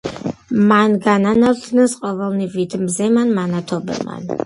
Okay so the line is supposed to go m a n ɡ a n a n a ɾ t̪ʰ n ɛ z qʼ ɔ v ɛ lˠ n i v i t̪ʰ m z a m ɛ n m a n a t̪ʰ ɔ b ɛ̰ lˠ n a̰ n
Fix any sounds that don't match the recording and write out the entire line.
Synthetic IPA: m a n ɡ a n a n a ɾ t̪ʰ n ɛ s qʼ ɔ v ɛ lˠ n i v i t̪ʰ m z ɛ m a n m a n a t̪ʰ ɔ b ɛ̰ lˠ m a̰ n